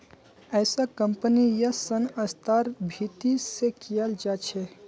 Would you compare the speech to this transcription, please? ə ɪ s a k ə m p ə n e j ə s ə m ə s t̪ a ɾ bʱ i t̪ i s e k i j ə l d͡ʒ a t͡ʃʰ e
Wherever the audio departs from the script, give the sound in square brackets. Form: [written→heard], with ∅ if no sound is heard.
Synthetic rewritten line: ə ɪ s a k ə m p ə n [e→i] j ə s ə [m→n] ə s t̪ a ɾ bʱ i t̪ i s e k i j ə l d͡ʒ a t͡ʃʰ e